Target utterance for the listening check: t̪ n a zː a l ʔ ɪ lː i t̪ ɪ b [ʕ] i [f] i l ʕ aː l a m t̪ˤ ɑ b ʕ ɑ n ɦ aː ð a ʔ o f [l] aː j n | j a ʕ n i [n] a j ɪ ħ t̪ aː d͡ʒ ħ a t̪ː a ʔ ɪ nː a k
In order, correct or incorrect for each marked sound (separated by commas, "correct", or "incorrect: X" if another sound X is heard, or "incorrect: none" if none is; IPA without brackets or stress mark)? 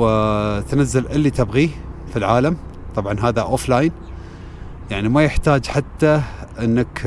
incorrect: ɣ, correct, correct, incorrect: m